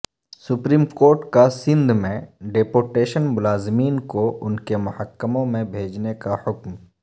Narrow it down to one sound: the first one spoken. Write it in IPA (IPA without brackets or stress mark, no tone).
s